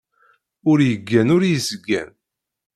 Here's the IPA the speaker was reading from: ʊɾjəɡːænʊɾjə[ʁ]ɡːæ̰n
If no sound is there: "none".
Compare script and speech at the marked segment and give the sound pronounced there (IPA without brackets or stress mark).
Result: z